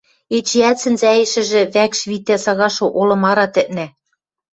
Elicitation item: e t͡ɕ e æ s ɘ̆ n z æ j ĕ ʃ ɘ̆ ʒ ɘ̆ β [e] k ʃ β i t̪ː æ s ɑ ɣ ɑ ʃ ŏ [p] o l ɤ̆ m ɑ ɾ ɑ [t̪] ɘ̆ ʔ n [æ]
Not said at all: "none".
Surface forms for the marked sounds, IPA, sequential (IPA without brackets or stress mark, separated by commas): æ, ʔ, t̪, æ